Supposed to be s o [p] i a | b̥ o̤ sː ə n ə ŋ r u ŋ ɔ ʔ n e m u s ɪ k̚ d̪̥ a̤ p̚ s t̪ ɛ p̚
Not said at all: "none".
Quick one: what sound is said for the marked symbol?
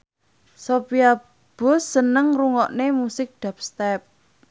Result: p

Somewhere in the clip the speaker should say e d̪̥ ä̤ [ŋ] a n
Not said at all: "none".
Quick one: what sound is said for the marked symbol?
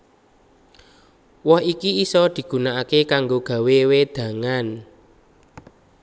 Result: ŋ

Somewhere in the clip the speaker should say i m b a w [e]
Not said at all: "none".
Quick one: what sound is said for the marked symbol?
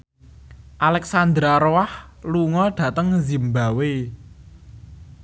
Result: e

